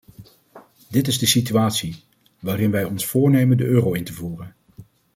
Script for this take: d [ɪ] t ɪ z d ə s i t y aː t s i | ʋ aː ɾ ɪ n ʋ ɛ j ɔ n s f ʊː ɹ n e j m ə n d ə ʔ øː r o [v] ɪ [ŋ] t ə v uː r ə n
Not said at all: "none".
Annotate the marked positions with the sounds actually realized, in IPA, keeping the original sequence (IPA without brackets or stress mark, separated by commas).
ɪ, w, n